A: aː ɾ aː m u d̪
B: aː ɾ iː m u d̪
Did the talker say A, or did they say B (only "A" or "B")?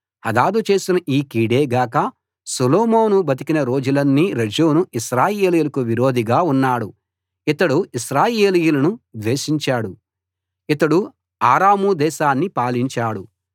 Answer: A